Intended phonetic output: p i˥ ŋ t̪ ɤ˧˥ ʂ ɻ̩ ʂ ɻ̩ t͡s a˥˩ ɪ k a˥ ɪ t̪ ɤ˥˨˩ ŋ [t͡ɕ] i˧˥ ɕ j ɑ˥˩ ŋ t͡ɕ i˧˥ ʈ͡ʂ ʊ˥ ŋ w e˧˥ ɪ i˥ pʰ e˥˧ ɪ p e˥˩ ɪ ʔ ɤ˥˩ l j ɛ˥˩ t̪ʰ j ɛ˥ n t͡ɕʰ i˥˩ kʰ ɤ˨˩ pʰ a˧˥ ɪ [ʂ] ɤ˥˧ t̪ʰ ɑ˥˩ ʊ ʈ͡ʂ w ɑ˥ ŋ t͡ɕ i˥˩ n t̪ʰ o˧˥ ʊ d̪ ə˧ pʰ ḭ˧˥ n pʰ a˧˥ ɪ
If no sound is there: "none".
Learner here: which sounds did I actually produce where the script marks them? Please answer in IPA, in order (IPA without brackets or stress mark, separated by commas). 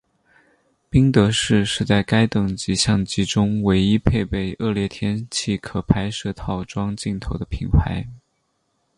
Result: t͡ɕ, ʂ